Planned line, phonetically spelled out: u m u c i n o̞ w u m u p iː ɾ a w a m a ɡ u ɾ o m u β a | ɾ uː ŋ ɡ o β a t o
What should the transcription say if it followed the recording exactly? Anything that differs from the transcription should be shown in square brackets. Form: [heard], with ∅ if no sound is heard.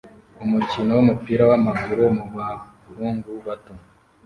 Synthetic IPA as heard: u m u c i n o̞ w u m u p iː ɾ a w a m a ɡ u ɾ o m u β a | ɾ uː ŋ ɡ [u] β a t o